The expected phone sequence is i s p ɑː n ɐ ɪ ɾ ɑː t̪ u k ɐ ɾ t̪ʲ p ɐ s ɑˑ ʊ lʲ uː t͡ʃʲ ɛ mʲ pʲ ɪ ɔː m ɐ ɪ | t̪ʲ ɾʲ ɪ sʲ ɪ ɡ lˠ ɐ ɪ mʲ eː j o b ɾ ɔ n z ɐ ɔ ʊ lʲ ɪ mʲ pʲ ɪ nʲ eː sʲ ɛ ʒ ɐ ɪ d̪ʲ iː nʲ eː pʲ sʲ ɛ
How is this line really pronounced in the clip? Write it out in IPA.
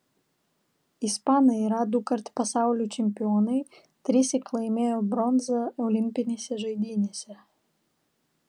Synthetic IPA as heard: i s p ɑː n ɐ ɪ ɾ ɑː d̪ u k ɐ ɾ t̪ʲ p ɐ s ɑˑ ʊ lʲ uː t͡ʃʲ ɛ mʲ pʲ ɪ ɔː n ɐ ɪ | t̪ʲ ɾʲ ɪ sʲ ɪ k lˠ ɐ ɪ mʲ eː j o b ɾ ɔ n z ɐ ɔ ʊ lʲ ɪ mʲ pʲ ɪ nʲ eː sʲ ɛ ʒ ɐ ɪ d̪ʲ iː nʲ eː sʲ ɛ